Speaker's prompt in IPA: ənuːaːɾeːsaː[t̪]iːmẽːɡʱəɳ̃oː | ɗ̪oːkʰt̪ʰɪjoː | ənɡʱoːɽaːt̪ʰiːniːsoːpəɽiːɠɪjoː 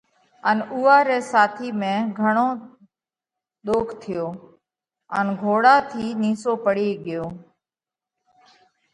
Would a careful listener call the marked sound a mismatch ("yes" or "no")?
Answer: yes